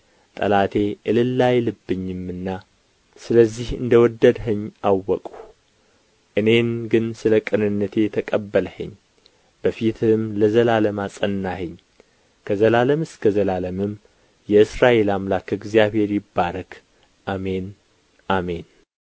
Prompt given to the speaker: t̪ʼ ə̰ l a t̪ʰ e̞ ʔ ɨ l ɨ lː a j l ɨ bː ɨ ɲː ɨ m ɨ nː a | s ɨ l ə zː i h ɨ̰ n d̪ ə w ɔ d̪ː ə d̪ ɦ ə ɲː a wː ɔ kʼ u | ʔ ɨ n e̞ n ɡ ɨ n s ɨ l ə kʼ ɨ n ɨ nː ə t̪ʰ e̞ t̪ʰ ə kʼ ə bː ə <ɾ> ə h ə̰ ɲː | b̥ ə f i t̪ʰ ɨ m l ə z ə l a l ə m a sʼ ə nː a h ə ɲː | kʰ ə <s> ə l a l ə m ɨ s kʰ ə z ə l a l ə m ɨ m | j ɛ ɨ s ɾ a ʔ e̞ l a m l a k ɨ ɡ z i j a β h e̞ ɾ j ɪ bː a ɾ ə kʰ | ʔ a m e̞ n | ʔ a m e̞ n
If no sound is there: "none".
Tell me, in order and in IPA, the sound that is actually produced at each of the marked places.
l, z

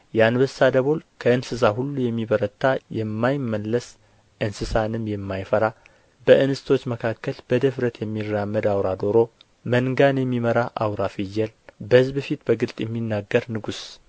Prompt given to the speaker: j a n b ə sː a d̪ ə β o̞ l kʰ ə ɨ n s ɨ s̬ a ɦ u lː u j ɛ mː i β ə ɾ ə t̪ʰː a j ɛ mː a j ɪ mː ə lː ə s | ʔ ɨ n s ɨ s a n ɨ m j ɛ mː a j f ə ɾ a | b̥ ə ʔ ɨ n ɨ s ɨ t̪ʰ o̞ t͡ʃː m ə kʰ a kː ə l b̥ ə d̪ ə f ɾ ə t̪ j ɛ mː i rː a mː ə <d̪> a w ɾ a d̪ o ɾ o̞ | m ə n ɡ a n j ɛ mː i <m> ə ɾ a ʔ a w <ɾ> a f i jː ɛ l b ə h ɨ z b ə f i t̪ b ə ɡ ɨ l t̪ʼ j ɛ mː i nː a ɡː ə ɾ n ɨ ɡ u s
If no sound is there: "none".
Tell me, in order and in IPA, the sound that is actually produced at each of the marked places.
d̪, m, ɾ

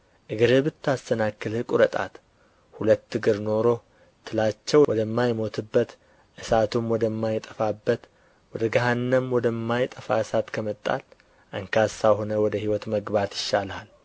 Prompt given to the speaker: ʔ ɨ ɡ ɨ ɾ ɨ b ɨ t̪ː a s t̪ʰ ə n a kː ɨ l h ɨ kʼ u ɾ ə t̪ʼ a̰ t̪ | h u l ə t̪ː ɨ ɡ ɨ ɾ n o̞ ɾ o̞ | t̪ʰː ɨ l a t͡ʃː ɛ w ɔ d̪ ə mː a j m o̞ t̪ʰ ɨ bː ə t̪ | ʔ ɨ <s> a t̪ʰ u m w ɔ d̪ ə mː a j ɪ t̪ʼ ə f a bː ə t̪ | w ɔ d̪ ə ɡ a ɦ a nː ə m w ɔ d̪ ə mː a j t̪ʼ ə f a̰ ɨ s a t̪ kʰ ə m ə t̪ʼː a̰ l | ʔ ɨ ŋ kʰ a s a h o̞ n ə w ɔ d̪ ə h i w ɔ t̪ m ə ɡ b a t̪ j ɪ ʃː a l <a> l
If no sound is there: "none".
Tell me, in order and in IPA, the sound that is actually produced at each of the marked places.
s, a

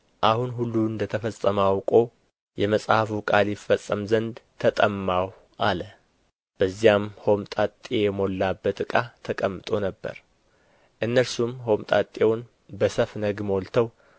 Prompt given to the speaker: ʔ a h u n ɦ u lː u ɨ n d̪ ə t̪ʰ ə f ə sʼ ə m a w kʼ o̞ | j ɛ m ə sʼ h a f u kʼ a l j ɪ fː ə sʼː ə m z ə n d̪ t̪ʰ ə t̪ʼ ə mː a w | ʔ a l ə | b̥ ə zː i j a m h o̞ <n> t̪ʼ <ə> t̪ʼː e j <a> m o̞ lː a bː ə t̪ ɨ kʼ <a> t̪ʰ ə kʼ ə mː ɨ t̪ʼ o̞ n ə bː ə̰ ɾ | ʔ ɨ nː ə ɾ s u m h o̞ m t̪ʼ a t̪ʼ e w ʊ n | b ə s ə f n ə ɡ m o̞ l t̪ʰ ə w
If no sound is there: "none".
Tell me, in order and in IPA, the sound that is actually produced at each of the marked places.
m, a, ɛ, a

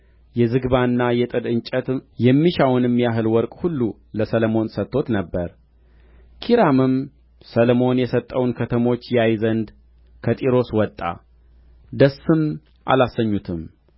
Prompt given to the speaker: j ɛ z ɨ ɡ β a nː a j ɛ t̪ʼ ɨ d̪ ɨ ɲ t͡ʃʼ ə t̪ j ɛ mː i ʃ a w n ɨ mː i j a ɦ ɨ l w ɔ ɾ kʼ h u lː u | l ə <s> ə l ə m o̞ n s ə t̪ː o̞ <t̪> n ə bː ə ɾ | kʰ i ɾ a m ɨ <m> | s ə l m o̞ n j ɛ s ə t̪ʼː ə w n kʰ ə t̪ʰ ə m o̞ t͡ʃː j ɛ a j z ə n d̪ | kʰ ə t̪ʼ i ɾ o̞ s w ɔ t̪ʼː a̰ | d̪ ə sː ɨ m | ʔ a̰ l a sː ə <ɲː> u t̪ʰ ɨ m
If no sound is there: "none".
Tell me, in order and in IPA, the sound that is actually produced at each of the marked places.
s, t̪, m, ɲː

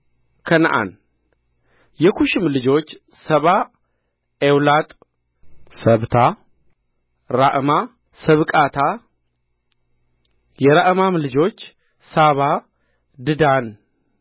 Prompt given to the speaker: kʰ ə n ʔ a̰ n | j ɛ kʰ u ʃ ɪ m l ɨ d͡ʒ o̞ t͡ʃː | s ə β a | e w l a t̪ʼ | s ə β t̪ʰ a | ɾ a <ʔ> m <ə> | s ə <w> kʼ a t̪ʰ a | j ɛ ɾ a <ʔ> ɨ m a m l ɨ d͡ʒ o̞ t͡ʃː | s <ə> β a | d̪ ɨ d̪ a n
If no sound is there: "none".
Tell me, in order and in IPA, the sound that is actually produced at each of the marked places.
ʔ, a, β, ʔ, a

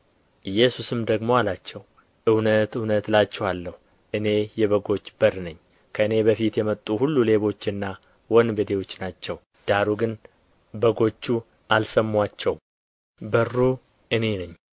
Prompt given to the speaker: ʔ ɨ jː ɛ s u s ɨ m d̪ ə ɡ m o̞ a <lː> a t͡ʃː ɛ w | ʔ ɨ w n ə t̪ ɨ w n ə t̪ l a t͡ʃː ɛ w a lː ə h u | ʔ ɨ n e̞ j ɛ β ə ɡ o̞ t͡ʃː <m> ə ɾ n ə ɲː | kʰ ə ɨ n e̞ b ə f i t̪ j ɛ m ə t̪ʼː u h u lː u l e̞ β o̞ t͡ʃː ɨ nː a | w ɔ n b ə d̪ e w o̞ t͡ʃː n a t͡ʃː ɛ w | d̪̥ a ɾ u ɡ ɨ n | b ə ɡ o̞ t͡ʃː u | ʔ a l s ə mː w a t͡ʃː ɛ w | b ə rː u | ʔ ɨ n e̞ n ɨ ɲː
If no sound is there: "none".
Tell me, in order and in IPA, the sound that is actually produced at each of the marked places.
l, b

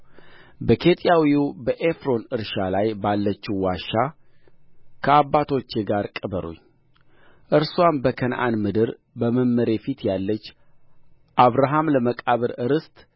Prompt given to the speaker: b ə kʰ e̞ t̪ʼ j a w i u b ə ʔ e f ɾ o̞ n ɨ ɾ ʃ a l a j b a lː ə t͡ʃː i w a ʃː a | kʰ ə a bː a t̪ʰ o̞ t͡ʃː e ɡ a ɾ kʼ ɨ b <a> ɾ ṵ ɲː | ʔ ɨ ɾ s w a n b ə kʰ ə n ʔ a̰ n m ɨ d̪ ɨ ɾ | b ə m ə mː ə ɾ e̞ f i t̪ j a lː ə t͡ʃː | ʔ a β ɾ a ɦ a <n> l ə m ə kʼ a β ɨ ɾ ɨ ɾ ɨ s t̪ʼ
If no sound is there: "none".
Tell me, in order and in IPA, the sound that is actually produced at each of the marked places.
ə, m

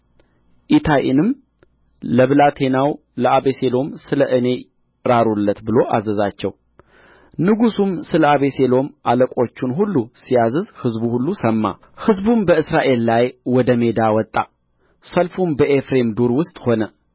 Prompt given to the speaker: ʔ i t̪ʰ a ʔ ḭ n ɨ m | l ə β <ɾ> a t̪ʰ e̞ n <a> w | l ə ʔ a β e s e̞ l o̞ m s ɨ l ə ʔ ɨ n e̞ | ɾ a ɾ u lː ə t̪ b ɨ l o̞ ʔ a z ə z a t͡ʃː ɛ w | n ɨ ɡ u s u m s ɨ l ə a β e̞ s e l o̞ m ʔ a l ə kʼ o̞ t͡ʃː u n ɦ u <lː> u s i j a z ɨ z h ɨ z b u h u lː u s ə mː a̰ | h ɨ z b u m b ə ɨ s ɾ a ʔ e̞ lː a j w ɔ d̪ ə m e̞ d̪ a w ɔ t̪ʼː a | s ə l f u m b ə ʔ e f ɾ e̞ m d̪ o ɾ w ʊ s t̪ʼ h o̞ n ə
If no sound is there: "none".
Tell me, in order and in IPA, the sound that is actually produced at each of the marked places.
l, a, lː

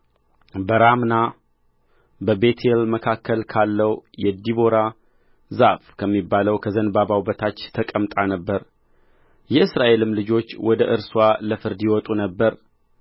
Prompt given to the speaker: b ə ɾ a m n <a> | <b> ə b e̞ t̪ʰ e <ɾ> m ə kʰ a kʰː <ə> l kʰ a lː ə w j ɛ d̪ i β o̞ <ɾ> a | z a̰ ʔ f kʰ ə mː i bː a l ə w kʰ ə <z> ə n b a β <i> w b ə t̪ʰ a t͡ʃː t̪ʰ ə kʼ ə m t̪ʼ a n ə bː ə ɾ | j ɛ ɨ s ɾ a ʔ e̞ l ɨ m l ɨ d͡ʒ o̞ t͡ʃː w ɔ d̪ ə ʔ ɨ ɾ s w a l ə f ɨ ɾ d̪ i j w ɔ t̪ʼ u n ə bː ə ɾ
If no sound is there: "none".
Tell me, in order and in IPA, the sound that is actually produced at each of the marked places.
a, b, l, ə, ɾ, z, a

